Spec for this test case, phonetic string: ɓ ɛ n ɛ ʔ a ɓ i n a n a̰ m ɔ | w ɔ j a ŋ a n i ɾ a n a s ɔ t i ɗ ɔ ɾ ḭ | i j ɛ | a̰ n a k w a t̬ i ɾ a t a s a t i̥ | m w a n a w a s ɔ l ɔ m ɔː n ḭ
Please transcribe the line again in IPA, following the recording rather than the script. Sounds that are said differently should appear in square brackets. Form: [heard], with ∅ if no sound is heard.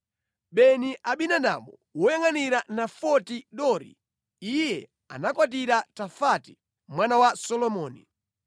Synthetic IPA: ɓ ɛ n [i] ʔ a ɓ i n a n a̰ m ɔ | w ɔ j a ŋ a n i ɾ a n a [f] ɔ t i ɗ ɔ ɾ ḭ | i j ɛ | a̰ n a k w a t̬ i ɾ a t a [f] a t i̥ | m w a n a w a s ɔ l ɔ m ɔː n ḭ